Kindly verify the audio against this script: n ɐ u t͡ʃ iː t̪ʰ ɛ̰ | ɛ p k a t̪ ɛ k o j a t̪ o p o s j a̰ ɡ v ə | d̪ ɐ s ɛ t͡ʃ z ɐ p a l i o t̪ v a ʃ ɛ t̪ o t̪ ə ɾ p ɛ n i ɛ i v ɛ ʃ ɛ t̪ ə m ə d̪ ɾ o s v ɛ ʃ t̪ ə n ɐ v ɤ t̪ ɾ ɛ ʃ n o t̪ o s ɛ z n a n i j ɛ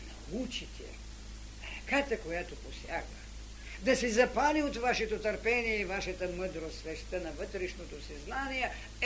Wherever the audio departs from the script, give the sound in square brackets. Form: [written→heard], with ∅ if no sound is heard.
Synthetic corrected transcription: n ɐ u t͡ʃ [iː→i] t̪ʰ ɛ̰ | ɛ [p→∅] k a t̪ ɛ k o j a t̪ o p o s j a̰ ɡ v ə | d̪ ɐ s ɛ [t͡ʃ→∅] z ɐ p a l i o t̪ v a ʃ ɛ t̪ o t̪ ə ɾ p ɛ n i ɛ i v [ɛ→a] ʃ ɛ t̪ ə m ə d̪ ɾ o s v ɛ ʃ t̪ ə n ɐ v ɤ t̪ ɾ ɛ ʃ n o t̪ o s ɛ z n a n i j ɛ